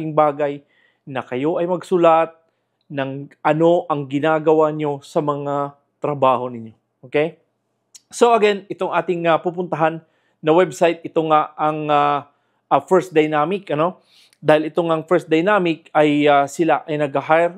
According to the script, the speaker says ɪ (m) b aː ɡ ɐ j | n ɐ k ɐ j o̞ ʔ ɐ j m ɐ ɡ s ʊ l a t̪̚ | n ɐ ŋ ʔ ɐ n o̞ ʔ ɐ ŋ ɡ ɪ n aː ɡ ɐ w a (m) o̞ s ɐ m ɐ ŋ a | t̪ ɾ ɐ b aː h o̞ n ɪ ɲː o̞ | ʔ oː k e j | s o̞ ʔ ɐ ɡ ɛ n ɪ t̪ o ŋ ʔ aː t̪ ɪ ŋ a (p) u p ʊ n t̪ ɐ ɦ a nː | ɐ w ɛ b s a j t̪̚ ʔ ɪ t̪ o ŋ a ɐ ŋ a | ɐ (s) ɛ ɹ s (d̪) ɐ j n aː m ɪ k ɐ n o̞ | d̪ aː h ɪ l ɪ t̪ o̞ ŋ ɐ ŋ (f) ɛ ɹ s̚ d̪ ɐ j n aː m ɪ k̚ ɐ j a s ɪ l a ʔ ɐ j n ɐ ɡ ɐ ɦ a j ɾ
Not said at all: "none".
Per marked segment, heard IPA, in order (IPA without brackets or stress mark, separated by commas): ŋ, ɲ, p, f, d̪, f